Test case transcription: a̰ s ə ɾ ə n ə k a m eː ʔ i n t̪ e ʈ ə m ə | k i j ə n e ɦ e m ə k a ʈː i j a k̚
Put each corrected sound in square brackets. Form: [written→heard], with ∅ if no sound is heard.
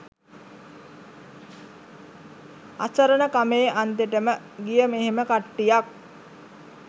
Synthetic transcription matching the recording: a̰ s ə ɾ ə n ə k a m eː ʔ [i→a] n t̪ e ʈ ə m ə | [k→ɡ] i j ə [n→m] e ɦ e m ə k a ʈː i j a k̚